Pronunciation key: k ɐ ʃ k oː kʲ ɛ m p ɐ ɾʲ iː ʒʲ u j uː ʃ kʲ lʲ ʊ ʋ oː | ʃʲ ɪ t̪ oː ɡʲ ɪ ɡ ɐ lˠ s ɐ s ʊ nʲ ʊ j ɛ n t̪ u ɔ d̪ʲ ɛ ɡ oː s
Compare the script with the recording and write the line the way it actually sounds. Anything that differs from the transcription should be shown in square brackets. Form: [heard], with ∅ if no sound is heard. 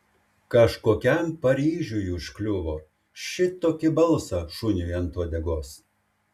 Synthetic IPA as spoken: k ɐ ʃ k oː kʲ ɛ m p ɐ ɾʲ iː ʒʲ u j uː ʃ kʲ lʲ ʊ ʋ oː | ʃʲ ɪ t̪ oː [kʲ] ɪ [b] ɐ lˠ s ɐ [ʃ] ʊ nʲ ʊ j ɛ n t̪ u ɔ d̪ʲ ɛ ɡ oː s